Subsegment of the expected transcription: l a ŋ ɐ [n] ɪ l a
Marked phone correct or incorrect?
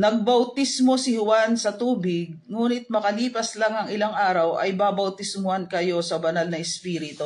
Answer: incorrect